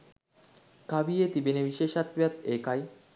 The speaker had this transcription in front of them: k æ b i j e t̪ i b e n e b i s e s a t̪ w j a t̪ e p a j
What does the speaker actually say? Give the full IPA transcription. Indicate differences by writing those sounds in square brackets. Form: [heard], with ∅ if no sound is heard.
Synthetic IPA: k [a] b i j e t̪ i b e n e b i [ʃ] e [ʃ] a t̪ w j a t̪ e [k] a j